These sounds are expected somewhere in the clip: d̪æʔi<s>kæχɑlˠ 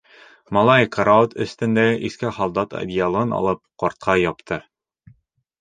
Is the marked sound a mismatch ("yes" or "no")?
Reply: no